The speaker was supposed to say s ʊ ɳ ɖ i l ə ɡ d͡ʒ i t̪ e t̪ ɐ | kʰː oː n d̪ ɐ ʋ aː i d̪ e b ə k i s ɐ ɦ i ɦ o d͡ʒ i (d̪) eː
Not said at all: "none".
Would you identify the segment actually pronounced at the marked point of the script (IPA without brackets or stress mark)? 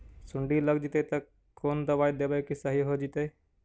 t̪